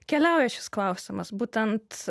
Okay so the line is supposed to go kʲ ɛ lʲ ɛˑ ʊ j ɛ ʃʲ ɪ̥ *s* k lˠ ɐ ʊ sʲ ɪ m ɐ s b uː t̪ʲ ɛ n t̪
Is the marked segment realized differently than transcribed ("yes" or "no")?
no